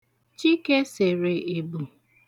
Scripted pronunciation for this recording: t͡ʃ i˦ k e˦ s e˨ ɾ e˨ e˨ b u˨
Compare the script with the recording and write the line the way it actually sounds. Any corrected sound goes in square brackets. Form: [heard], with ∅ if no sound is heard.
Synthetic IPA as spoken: t͡ʃ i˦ k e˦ s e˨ ɾ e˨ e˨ b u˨